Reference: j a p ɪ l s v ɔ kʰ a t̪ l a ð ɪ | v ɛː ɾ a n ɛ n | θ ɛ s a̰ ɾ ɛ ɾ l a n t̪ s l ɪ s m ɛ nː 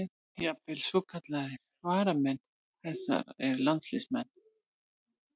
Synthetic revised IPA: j a p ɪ l s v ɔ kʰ a t̪ l a ð ɪ | v aː ɾ a m ɛ n | θ ɛ s a̰ ɾ ɛ ɾ l a n t̪ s l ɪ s m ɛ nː